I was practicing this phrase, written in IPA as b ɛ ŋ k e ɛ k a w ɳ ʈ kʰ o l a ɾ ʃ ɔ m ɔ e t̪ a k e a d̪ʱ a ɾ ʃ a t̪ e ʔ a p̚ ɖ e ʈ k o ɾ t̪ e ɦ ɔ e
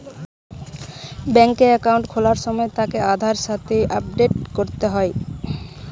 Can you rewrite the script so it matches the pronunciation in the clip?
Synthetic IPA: b ɛ ŋ k e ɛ k a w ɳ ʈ kʰ o l a ɾ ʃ ɔ m ɔ e t̪ a k e a d̪ʱ a ɾ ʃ a t̪ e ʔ a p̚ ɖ e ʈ k o ɾ t̪ e ɦ ɔ e